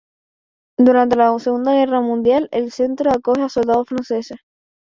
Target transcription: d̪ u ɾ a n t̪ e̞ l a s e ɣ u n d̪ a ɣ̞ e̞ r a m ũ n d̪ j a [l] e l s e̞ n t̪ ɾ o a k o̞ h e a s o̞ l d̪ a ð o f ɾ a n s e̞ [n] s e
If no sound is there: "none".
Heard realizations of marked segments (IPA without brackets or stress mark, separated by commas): l, none